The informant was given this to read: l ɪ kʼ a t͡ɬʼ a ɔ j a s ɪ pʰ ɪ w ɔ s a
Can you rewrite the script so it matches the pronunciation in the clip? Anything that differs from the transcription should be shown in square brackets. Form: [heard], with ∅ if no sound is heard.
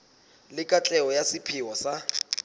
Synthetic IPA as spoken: l ɪ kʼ a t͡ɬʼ [ɛ] ɔ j a s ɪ pʰ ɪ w ɔ s a